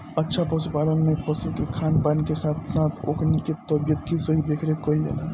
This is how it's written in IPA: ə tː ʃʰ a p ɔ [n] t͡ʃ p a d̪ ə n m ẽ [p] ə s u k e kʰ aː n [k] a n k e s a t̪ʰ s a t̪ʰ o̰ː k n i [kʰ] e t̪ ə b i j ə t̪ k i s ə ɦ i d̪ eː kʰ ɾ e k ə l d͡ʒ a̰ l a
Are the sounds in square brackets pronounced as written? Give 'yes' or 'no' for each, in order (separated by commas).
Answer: no, yes, no, no